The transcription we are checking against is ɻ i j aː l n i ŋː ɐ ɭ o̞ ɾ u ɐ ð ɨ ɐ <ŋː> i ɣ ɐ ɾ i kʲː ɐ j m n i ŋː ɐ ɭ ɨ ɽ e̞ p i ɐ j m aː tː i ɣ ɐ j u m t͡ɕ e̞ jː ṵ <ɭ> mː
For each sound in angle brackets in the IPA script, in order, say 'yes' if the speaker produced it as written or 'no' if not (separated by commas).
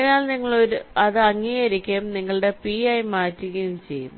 yes, no